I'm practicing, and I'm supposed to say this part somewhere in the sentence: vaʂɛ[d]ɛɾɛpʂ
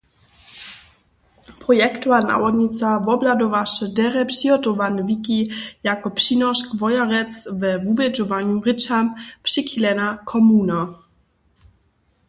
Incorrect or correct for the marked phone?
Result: correct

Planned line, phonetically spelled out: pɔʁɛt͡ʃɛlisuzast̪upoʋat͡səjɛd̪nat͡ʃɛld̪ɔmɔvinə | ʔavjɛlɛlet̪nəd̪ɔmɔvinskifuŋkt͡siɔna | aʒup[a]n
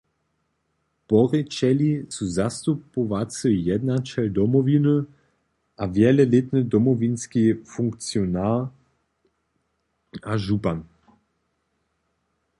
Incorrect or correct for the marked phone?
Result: correct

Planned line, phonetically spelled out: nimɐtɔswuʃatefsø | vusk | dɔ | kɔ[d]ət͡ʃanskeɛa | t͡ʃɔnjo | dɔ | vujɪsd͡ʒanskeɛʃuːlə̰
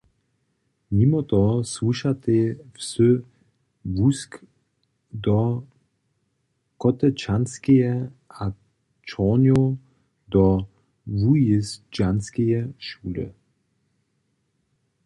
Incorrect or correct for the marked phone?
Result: incorrect: t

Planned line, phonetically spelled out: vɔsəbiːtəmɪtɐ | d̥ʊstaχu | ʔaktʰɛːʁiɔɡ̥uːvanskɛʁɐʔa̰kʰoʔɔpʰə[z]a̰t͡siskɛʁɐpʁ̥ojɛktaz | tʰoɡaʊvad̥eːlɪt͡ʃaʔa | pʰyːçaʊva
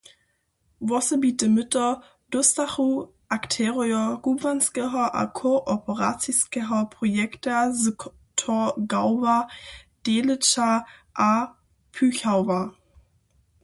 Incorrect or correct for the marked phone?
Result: incorrect: ʁ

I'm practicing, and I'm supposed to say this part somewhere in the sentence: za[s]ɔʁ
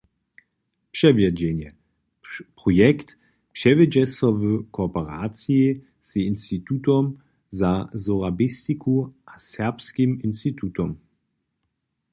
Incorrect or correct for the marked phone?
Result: incorrect: z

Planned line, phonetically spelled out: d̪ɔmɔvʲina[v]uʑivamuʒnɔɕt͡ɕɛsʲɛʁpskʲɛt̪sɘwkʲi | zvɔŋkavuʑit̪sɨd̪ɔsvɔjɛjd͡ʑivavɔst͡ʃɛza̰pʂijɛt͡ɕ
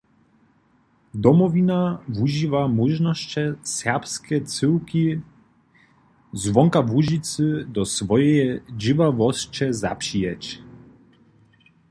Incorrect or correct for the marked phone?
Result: correct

